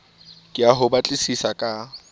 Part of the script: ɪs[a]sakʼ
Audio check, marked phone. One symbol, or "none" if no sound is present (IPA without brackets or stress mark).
i